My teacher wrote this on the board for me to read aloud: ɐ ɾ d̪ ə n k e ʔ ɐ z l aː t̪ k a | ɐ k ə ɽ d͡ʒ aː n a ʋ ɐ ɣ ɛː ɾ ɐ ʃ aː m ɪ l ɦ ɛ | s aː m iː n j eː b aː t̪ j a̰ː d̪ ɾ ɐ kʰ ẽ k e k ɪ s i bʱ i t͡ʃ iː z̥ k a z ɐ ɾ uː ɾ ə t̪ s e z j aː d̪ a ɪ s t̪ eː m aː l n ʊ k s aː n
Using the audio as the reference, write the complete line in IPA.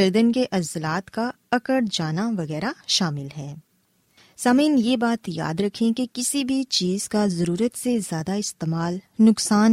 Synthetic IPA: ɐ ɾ d̪ ə n k e ʔ ɐ z l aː t̪ k a | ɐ k ə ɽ d͡ʒ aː n a ʋ ɐ ɣ ɛː ɾ a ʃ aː m ɪ l ɦ ɛː | s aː m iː n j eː b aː t̪ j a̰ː d̪ ɾ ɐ kʰ ẽ k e k ɪ s i bʱ i t͡ʃ iː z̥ k a z ɐ ɾ uː ɾ ə t̪ s e z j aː d̪ a ɪ s t̪ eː m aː l n ʊ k s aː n